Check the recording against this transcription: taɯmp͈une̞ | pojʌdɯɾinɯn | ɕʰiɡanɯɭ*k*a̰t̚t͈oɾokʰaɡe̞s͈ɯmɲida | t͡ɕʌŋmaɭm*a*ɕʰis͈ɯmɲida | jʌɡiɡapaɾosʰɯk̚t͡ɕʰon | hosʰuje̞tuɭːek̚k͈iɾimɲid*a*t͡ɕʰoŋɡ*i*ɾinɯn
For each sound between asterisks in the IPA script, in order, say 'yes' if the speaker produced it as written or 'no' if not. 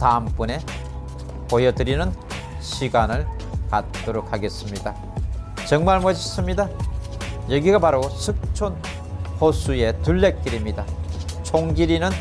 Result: yes, no, yes, yes

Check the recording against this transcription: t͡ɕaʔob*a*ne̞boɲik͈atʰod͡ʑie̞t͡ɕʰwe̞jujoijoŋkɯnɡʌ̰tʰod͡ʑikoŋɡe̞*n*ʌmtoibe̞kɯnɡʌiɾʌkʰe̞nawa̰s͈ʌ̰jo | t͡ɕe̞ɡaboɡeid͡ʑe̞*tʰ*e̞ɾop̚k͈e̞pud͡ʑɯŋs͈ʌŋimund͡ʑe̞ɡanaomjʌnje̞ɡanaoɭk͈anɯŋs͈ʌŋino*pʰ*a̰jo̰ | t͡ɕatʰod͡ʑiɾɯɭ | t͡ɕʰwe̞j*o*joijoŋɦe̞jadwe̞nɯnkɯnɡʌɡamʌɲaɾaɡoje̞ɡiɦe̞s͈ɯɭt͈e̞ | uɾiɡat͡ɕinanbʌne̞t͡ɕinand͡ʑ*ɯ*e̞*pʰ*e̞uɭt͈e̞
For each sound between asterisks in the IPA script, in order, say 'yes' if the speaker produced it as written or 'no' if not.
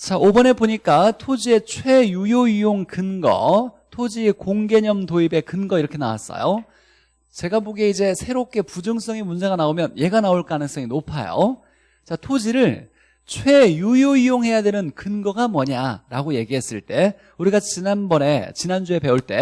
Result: no, no, no, yes, no, no, no

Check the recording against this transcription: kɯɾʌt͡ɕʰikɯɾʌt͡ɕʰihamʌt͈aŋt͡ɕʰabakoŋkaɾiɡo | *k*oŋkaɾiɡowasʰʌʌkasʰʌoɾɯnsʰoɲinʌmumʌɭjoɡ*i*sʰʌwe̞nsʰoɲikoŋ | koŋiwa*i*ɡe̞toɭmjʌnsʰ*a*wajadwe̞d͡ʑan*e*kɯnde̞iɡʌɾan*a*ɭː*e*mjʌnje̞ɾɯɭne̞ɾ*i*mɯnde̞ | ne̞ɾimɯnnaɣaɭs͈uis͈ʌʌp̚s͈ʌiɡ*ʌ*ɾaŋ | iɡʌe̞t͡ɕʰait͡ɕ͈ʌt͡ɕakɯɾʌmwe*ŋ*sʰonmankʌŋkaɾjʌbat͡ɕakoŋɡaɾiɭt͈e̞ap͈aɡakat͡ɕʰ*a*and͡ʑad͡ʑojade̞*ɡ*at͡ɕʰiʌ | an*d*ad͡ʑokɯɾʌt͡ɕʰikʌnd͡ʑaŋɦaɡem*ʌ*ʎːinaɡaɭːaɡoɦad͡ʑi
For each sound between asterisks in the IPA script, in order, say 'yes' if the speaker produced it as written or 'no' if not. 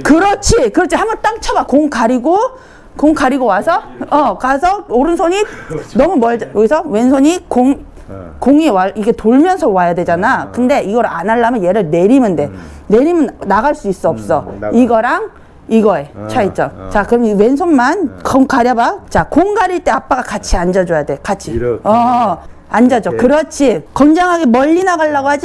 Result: yes, yes, yes, no, no, yes, no, yes, yes, no, no, no, no, yes

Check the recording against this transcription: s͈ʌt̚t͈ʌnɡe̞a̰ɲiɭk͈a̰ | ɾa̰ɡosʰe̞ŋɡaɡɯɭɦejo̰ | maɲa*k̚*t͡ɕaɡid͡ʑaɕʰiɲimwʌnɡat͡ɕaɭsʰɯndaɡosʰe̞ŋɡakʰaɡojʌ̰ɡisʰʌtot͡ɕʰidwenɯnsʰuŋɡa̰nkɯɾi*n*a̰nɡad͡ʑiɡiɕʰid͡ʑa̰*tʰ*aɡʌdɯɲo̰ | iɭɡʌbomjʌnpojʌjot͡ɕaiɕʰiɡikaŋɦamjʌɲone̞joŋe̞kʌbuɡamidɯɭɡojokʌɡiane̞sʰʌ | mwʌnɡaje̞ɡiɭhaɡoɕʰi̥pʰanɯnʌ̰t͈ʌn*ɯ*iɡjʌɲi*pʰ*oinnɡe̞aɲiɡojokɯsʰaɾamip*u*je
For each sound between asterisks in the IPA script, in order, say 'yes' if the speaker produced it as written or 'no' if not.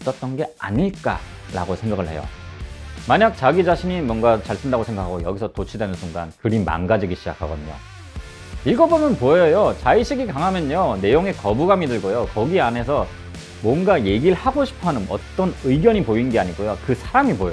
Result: yes, no, no, yes, no, no

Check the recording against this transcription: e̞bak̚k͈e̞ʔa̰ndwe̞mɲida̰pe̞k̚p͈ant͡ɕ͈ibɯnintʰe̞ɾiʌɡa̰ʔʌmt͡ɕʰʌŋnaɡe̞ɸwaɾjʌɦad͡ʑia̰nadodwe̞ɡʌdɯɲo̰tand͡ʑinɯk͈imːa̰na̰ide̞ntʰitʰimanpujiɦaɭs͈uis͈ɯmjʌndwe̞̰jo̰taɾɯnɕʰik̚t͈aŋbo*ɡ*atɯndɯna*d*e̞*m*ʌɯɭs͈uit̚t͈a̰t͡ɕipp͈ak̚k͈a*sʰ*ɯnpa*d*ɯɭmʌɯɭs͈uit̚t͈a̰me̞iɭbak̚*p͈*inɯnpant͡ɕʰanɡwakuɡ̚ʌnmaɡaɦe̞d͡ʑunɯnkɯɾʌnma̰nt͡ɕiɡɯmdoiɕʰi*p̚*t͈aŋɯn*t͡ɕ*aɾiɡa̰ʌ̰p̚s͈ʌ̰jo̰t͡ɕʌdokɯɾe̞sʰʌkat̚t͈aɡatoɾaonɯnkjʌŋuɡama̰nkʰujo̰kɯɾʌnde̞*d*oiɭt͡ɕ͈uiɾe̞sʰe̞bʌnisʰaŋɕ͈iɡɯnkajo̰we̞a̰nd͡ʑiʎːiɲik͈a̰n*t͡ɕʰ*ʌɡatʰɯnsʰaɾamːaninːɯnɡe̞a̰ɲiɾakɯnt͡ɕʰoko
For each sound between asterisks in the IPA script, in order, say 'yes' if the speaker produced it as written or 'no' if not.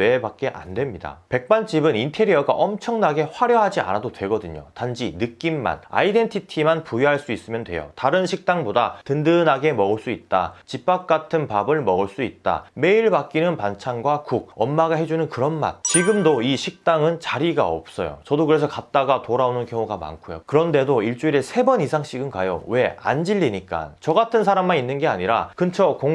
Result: no, no, yes, no, no, no, no, yes, yes, no

